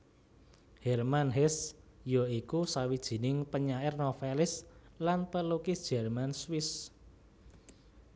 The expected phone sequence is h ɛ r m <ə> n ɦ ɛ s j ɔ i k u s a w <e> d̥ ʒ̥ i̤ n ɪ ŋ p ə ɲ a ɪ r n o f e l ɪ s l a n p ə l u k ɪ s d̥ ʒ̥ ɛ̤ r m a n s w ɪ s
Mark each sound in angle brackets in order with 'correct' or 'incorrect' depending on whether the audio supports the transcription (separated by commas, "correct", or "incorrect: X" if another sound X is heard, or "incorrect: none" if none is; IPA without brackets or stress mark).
incorrect: a, incorrect: i